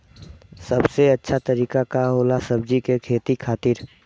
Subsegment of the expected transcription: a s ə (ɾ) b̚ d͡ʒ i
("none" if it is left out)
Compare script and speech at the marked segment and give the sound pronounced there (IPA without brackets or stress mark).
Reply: none